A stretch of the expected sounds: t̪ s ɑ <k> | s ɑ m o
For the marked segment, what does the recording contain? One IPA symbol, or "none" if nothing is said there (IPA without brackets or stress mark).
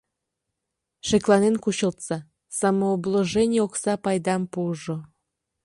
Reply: none